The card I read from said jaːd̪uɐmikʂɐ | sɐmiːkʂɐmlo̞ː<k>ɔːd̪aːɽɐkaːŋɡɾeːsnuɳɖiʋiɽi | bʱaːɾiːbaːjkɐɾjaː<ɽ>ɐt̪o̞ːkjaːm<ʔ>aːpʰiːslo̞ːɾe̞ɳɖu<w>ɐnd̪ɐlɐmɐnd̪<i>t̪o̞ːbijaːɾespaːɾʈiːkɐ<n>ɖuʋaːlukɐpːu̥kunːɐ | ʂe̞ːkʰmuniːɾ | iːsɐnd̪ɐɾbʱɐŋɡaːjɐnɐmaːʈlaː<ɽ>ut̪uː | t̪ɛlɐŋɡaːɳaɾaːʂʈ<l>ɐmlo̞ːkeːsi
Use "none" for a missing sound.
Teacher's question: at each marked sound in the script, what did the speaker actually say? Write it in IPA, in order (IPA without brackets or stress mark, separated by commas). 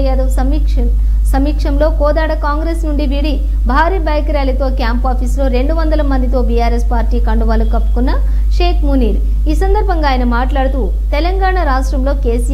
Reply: k, l, p, ʋ, i, ɳ, ɽ, ɾ